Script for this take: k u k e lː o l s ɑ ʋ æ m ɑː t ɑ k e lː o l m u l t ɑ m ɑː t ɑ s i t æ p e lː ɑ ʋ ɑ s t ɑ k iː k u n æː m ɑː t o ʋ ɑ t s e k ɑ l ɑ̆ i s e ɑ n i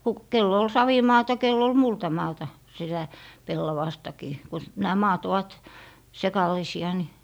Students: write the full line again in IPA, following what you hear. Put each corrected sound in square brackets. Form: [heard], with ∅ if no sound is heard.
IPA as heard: k u k e lː o l s ɑ ʋ [i] m ɑː t ɑ k e lː o l m u l t ɑ m ɑː t ɑ s i t æ p e lː ɑ ʋ ɑ s t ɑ k iː k u n æː m ɑː t o ʋ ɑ t s e k ɑ l ɑ̆ i s [i] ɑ n i

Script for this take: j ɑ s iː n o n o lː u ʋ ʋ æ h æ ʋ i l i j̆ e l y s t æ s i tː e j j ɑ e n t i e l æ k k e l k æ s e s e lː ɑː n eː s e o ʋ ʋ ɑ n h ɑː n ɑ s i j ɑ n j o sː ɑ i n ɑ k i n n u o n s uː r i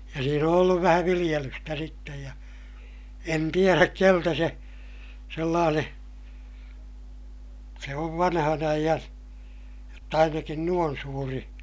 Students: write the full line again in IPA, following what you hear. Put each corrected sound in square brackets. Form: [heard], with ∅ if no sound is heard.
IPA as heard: j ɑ s iː n o n o lː u ʋ ʋ æ h æ ʋ i l i j̆ e l y s t æ s i tː e j j ɑ e n t i e [r] æ k k e l [t] æ s e s e lː ɑː n eː s e o ʋ ʋ ɑ n h [ɑ] n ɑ [∅] i j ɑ n j o [tː] ɑ i n ɑ k i n n u o n s uː r i

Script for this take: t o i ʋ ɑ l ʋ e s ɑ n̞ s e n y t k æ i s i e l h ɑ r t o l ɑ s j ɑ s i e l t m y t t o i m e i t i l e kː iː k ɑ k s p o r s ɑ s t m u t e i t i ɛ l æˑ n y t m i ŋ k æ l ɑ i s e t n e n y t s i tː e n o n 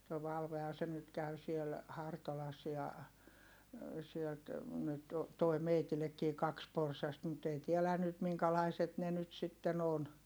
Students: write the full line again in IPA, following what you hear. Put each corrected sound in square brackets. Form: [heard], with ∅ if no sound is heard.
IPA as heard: t o i ʋ ɑ l ʋ e [h] ɑ n̞ s e n y t k æ [y] s i e l h ɑ r t o l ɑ s j ɑ s i e l t [n] y t t o i m e i t i l e kː iː k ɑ k s p o r s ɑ s t m u t e i t i ɛ l æˑ n y t m i ŋ k æ l ɑ i s e t n e n y t s i tː e n o n

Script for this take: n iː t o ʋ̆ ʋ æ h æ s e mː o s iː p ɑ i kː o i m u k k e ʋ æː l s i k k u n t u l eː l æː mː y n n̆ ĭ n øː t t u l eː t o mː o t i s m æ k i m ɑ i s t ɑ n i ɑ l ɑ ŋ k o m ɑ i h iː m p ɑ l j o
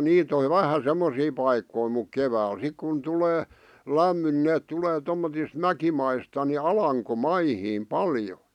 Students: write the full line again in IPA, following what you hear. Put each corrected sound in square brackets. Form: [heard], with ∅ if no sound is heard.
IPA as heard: n iː t o ʋ̆ ʋ æ h æ s e mː o s iː p ɑ i kː o i m u k k e ʋ æː l s i k k u n t u l eː l [æ] mː y n n̆ ĭ n [eː] t t u l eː t o mː o t i s m æ k i m ɑ i s t ɑ n i ɑ l ɑ ŋ k o m ɑ i h iː m p ɑ l j o

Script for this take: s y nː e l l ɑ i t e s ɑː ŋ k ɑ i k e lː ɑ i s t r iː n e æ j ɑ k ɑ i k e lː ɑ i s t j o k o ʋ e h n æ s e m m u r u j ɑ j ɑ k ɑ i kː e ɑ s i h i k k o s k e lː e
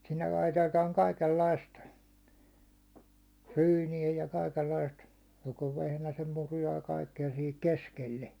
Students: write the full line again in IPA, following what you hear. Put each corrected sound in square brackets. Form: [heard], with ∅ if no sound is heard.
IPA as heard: s [i] nː e l l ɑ i t e [t] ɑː ŋ k ɑ i k e lː ɑ i s t r [yː] n [i] æ j ɑ k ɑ i k e lː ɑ i s t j o k o ʋ e h n æ s e m m u r u j ɑ j ɑ k ɑ i kː e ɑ s i h i k k o s k e lː e

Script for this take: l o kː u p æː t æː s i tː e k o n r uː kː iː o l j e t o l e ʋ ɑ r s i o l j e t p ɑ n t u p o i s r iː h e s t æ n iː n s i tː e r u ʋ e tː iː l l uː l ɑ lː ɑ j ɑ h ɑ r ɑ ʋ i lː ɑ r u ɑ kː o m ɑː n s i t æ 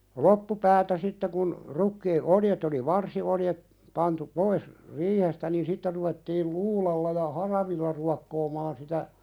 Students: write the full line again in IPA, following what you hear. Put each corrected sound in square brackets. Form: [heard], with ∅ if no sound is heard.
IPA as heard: l o [pː] u p æː t [æ] s i tː e k [u] n r [u] kː iː o l j e t o l [i] ʋ ɑ r s i o l j e t p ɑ n t u p o i s r iː h e s t æ n iː n s i tː e r u ʋ e tː iː l l uː l ɑ lː ɑ j ɑ h ɑ r ɑ ʋ i lː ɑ r u ɑ kː [oː] m ɑː n s i t æ

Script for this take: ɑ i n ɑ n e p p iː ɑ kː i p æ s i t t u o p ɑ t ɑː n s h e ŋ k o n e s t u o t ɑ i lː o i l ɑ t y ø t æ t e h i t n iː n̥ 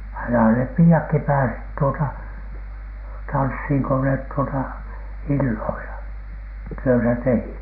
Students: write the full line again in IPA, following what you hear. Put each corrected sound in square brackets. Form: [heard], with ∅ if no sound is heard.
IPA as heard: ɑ i n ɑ n e p p iː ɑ kː i p [æː] s i t t u o [t] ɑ t [ɑ] n s h [i] ŋ k o n e [t] t u o t ɑ i lː o i l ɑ t y ø t æ t e h i t n iː n̥

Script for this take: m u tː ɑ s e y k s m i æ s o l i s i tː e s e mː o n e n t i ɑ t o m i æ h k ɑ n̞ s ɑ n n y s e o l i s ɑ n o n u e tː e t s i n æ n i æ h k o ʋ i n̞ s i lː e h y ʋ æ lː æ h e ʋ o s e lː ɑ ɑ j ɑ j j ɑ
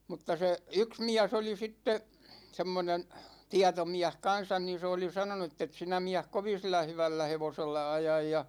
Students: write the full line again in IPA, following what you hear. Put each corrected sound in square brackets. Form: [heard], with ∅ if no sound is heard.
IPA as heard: m u tː ɑ s e y k s m i æ s o l i s i tː e s e mː o n e n t i ɑ t o m i æ h k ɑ n̞ s ɑ n n [i] s e o l i s ɑ n o n u e tː e t s i n æ [m] i æ h k o ʋ i n̞ s i lː [æ] h y ʋ æ lː æ h e ʋ o s e lː ɑ ɑ j ɑ j j ɑ

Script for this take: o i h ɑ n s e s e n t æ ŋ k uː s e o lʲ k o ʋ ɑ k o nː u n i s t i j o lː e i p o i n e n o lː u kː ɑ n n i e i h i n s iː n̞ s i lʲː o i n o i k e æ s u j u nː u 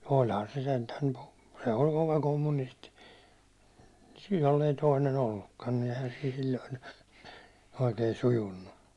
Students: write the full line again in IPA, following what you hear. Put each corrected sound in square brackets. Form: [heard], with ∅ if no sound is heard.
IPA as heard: o i h ɑ n s e s e n t æ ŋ k [u] s e o lʲ k o ʋ ɑ k o [mː] u n i s t i j o lː e i [t] o i n e n o lː u kː ɑ n n i e i h [æ] n s iː n̞ s i lʲː o i n o i k e [i] s u j u nː u

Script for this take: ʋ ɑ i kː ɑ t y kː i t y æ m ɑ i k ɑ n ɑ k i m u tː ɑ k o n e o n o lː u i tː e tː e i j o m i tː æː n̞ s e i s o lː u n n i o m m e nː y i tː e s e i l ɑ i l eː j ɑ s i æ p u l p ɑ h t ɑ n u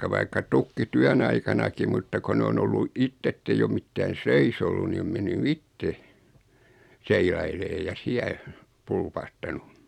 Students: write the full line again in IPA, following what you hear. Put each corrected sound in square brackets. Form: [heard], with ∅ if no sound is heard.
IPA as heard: ʋ ɑ i kː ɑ t y kː i t y æ [n] ɑ i k ɑ n ɑ k i m u tː ɑ k o n e o n o lː u i tː e tː e i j o m i tː æː n̞ s e i s o lː u n n i o m m e nː y i tː e s e i l ɑ i l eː j ɑ s i æ p u l p ɑ h t ɑ n u

